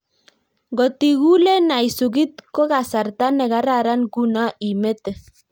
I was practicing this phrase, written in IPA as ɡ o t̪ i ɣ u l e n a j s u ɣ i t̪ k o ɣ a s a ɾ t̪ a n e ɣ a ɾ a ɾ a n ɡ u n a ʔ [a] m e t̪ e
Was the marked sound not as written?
yes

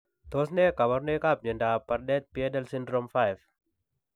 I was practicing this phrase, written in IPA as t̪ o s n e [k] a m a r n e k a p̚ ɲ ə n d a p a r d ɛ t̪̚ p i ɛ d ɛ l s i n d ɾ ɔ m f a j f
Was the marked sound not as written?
no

